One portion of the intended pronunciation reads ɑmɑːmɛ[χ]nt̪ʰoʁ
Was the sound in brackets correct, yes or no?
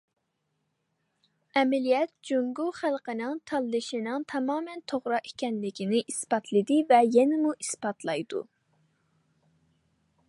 no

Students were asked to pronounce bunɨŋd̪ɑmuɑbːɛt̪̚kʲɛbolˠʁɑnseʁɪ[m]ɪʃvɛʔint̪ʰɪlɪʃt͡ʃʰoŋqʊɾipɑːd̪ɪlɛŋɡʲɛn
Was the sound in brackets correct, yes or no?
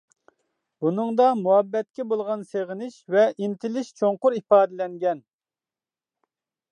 no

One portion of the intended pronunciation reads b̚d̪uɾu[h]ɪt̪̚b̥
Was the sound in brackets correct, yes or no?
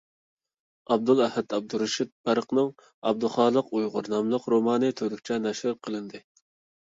no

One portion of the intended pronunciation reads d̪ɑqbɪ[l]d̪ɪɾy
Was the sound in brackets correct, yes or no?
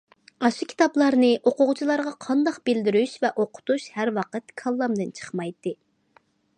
yes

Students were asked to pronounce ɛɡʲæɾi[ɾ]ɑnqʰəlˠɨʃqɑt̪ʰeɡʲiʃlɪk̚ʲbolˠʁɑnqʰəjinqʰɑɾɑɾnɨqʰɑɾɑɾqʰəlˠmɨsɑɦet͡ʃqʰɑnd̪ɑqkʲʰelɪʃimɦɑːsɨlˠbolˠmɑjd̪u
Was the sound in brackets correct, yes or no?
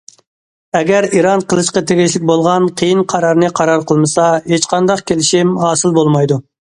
yes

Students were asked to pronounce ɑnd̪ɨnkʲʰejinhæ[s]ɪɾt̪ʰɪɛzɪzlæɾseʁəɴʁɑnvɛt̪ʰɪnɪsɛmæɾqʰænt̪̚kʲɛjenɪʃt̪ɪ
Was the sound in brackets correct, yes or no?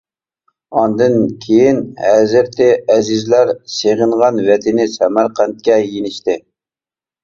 no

